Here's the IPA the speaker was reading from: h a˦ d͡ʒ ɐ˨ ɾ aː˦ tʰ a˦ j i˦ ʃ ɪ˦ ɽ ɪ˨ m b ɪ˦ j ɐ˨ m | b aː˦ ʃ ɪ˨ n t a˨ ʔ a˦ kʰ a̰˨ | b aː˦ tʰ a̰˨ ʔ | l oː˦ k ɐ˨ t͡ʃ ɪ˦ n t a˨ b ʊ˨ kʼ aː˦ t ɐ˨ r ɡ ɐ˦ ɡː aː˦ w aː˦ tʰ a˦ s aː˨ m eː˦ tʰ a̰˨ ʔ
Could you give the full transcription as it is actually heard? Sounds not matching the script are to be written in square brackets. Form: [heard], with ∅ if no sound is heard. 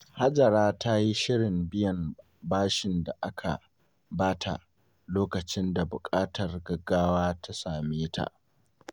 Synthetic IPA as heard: h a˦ d͡ʒ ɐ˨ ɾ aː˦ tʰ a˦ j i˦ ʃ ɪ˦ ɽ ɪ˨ m b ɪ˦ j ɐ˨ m | b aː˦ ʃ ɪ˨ n [d] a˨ ʔ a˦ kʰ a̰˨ | b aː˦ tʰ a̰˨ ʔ | l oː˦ k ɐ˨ t͡ʃ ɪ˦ n [d] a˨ b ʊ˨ kʼ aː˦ t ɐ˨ r ɡ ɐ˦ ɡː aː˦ w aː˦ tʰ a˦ s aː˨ m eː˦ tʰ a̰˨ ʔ